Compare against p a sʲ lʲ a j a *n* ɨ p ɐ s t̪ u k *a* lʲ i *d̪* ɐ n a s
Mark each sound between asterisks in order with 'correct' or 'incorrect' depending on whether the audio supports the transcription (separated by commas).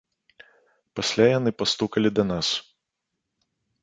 correct, incorrect, correct